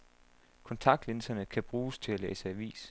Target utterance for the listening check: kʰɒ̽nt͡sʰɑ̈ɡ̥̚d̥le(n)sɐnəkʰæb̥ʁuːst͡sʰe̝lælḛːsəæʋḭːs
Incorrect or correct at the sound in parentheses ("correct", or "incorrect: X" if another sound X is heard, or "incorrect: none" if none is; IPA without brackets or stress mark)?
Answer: correct